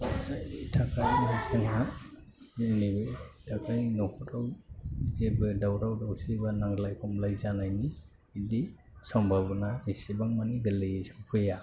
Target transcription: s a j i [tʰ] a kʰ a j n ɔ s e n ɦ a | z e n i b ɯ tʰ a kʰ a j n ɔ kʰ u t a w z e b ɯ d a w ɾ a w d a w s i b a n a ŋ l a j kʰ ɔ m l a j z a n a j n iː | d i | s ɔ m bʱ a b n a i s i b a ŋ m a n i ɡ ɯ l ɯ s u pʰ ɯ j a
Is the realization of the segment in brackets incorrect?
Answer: no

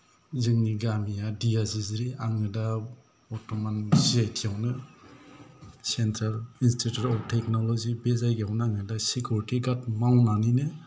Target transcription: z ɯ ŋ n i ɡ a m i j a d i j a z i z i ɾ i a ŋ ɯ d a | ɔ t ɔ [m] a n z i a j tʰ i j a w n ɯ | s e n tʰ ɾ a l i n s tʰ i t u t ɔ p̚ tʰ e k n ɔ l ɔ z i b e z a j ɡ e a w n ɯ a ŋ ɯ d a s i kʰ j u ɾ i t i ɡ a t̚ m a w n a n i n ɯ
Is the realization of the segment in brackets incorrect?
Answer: no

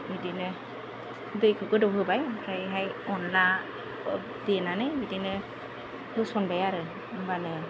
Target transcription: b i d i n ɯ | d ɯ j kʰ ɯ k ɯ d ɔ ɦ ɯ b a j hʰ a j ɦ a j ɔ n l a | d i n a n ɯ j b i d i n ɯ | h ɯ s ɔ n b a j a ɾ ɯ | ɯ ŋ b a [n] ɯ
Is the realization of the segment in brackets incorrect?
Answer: no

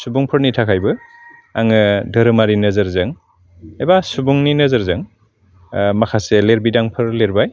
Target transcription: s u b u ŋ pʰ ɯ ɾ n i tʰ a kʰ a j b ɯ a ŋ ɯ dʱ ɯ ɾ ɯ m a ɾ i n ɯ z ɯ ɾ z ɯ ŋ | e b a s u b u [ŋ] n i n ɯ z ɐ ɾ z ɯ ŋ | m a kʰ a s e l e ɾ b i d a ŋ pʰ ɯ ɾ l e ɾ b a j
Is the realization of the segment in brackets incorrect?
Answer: no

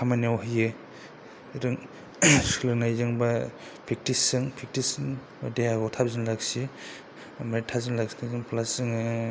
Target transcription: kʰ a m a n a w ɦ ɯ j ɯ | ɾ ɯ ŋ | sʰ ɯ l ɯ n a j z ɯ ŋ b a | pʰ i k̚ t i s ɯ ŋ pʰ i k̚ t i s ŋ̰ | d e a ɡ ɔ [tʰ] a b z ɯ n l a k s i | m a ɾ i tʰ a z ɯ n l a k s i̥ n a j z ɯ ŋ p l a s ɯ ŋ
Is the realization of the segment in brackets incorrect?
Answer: no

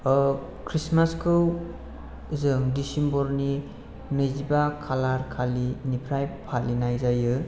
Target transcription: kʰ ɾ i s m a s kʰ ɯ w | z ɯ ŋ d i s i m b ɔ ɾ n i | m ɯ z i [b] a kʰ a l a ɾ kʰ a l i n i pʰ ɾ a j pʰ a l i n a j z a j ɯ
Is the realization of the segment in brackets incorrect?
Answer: no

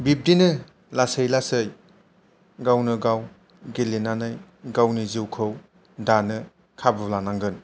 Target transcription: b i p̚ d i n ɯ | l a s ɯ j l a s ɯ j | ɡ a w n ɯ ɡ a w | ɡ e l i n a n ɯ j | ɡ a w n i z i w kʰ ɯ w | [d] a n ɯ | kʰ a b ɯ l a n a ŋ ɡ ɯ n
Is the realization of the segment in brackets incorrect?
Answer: no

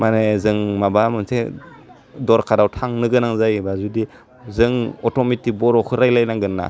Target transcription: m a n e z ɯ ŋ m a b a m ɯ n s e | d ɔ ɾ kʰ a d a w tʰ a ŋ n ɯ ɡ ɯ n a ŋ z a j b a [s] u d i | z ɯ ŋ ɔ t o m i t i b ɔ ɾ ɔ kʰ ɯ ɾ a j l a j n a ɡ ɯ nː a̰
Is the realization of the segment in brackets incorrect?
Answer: yes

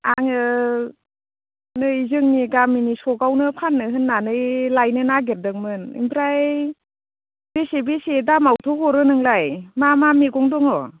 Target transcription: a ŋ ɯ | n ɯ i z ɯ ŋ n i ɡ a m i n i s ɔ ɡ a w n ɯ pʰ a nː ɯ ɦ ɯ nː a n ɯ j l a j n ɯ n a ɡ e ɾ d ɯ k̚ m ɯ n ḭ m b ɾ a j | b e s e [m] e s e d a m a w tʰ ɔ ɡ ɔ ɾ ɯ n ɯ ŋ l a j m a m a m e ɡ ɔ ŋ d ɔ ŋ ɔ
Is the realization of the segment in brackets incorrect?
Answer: yes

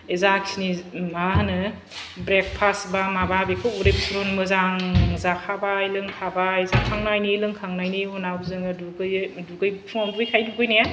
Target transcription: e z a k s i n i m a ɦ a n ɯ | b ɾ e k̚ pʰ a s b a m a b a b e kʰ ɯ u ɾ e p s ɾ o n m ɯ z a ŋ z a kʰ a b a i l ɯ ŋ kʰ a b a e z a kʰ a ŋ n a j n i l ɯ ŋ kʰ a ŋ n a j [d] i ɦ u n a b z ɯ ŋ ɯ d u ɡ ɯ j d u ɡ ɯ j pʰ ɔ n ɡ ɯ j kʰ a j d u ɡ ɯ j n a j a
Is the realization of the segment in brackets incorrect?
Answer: yes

